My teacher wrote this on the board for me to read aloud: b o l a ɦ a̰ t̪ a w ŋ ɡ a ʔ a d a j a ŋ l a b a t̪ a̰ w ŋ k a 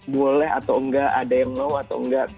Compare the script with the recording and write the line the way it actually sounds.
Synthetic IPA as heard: b o l ɛ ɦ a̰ t̪ a w ŋ ɡ a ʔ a d a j a ŋ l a w a t̪ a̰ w ŋ ɡ a